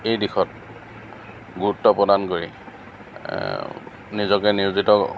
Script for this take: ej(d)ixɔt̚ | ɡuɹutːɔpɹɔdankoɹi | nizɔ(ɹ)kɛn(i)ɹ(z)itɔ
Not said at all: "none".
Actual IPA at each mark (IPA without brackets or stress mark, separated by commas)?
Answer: d, none, i, z